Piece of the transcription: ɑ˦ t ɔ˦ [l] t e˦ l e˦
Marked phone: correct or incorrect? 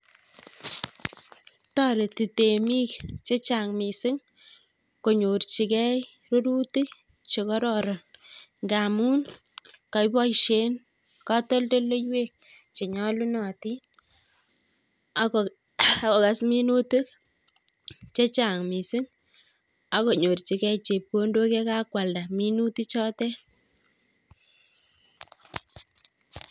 correct